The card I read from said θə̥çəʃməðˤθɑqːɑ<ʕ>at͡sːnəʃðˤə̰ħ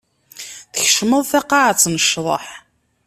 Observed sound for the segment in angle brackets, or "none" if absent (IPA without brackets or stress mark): ʕ